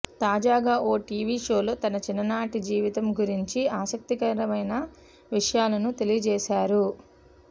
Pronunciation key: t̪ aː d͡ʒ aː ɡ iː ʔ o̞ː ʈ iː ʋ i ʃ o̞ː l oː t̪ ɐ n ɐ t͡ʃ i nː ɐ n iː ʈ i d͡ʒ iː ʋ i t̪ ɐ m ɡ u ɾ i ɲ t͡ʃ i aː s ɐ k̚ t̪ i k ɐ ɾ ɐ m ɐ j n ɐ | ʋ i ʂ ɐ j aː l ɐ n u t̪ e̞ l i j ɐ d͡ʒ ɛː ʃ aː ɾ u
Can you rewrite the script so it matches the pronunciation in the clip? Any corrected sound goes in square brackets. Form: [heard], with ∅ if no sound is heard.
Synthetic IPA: t̪ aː d͡ʒ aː ɡ [aː] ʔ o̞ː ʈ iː ʋ i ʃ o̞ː l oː t̪ ɐ n ɐ t͡ʃ i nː ɐ n [aː] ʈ i d͡ʒ iː ʋ i t̪ ɐ m ɡ u ɾ i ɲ t͡ʃ i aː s ɐ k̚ t̪ i k ɐ ɾ ɐ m ɐ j n ɐ | ʋ i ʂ ɐ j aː l ɐ n u t̪ e̞ l i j ɐ d͡ʒ ɛː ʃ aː ɾ u